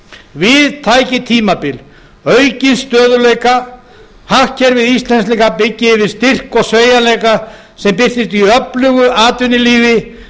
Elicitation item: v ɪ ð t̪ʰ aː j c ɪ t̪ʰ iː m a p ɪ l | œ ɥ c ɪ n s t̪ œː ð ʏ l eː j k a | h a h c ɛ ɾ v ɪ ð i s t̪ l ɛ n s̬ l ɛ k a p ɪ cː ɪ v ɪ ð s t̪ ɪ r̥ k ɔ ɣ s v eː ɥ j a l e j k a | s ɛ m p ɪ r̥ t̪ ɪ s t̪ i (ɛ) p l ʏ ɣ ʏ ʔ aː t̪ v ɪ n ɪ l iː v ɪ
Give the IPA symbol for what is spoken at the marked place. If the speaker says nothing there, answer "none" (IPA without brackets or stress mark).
œ